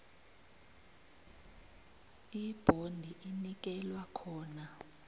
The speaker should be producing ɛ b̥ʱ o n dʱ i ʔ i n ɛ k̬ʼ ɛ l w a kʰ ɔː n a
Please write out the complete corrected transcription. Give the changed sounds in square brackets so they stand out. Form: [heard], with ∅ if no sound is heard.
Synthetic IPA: [i] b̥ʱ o n dʱ i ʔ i n [i] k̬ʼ ɛ l w a kʰ ɔː n a